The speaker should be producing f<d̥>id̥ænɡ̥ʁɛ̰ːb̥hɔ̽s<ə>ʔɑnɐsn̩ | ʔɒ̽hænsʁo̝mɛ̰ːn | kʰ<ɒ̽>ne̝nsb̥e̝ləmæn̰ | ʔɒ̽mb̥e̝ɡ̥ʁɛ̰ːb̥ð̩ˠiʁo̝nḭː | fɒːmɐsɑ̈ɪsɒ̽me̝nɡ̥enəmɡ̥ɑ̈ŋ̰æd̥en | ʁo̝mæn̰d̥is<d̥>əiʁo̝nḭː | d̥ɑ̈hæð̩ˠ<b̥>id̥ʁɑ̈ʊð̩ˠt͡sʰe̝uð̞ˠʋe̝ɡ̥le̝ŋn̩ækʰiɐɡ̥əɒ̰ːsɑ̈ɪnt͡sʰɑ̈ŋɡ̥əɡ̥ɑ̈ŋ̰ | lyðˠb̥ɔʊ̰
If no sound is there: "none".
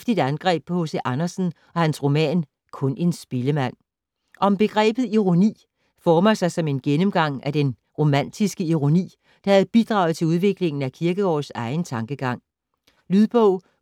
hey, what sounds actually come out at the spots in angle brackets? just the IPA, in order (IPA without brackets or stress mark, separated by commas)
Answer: d̥, ə, ɔ̽, ɡ̥, b̥